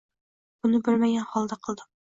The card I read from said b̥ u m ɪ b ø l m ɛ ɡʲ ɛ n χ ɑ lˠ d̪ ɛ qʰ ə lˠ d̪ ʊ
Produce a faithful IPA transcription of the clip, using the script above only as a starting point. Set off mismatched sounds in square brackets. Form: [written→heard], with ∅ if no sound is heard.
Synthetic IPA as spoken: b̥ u [m→n] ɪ b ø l m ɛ ɡʲ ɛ n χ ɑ lˠ d̪ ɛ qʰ ə lˠ d̪ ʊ